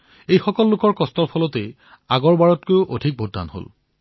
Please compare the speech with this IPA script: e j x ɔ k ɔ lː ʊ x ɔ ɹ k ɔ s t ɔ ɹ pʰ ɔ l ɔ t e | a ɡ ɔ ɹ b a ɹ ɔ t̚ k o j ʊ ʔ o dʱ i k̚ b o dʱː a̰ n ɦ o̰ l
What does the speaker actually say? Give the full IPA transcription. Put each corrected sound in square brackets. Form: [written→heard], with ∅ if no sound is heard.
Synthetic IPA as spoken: e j x ɔ k ɔ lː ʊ [x→k] ɔ ɹ k ɔ s t ɔ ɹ pʰ ɔ l ɔ t e | a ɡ ɔ ɹ b a ɹ ɔ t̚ k o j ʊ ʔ o dʱ i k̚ b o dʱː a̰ n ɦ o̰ l

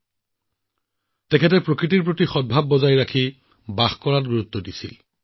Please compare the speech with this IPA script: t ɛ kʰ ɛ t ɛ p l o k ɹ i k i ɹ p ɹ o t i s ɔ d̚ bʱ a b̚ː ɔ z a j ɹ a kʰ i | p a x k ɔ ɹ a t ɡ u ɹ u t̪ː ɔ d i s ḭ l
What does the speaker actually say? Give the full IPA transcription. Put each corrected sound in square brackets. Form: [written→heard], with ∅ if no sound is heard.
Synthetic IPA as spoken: t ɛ kʰ ɛ t ɛ p [l→ɹ] o k ɹ i [k→t] i ɹ p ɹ o t i [s→x] ɔ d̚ bʱ a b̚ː ɔ z a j ɹ a kʰ i | [p→b] a x k ɔ ɹ a t ɡ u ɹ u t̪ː ɔ d i s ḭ l

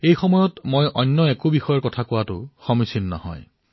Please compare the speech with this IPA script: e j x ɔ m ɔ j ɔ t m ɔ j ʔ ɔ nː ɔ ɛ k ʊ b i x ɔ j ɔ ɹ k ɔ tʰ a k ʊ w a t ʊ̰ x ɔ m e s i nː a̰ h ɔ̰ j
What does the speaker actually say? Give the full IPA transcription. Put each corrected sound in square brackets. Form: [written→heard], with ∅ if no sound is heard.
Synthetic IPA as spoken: e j x ɔ m ɔ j ɔ t m [ɔ→o] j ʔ ɔ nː ɔ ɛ k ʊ b i x ɔ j ɔ ɹ k ɔ tʰ a k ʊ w a t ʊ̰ x ɔ m [e→i] s i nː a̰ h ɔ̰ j

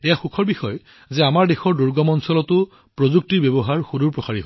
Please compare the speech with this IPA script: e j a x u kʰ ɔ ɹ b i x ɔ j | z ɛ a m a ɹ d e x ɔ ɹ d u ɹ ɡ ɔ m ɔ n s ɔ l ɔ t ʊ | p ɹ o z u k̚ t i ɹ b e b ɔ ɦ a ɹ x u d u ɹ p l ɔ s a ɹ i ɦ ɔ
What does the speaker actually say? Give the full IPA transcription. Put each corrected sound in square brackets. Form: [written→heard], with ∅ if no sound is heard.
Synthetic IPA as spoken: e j a x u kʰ ɔ ɹ b i x ɔ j | z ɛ a m a ɹ d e x ɔ ɹ d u ɹ ɡ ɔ m ɔ n s ɔ l ɔ t ʊ | p ɹ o z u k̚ t i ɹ b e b ɔ ɦ a ɹ x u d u ɹ p [l→ɹ] ɔ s a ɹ i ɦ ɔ

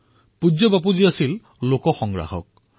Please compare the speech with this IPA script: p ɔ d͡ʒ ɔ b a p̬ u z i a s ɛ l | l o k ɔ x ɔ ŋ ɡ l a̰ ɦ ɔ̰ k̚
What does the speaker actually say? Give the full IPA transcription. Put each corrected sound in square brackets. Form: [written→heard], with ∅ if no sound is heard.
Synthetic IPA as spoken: p [ɔ→u] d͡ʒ ɔ b a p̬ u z i a s [ɛ→i] l | l o k ɔ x ɔ ŋ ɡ [l→ɹ] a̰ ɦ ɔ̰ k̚

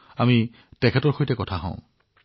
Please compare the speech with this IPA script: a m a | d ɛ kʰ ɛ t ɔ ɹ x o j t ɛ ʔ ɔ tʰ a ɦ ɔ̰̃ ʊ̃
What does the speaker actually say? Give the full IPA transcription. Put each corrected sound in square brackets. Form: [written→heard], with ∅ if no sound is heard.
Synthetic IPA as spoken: a m [a→i] | [d→t] ɛ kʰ ɛ t ɔ ɹ x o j t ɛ [ʔ→k] ɔ tʰ a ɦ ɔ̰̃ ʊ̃

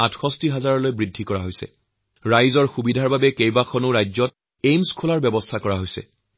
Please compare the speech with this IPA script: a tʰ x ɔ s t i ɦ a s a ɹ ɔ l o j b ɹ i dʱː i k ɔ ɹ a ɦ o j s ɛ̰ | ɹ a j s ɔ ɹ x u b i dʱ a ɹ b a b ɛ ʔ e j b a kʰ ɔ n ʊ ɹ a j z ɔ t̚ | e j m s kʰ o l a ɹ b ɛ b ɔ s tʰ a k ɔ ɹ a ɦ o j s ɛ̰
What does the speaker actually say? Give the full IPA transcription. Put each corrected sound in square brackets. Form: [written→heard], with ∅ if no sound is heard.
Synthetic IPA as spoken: a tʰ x ɔ s t i ɦ a [s→z] a ɹ ɔ l o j b ɹ i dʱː i k ɔ ɹ a ɦ o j s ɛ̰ | ɹ a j [s→z] ɔ ɹ x u b i dʱ a ɹ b a b ɛ [ʔ→k] e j b a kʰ ɔ n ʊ ɹ a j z ɔ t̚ | e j m s kʰ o l a ɹ b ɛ b ɔ s tʰ a k ɔ ɹ a ɦ o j s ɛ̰

